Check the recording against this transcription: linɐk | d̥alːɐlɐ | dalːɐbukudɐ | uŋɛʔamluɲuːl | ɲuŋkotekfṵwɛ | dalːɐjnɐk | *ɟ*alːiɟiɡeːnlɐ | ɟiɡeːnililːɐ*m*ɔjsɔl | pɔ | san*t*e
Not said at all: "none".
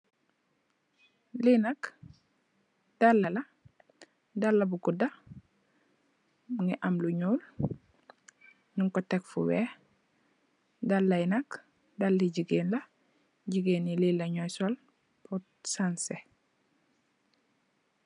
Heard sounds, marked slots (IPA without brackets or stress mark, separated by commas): d, ɲ, s